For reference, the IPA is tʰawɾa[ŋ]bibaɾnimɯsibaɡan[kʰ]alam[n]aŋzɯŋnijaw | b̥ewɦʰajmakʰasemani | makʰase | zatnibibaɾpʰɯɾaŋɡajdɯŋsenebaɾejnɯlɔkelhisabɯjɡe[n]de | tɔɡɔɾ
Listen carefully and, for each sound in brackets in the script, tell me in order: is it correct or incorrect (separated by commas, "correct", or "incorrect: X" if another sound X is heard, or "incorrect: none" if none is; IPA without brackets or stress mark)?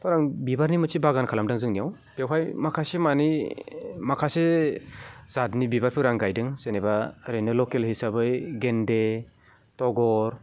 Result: correct, correct, incorrect: d, correct